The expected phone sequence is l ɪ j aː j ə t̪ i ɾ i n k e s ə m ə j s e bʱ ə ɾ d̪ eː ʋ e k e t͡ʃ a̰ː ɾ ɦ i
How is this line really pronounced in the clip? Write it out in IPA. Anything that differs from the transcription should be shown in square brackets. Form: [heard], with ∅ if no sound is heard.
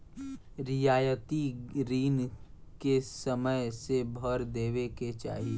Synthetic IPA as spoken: [ɾ] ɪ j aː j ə t̪ i ɾ [iː] n k e s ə m ə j s e bʱ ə ɾ d̪ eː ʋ e k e t͡ʃ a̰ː [∅] ɦ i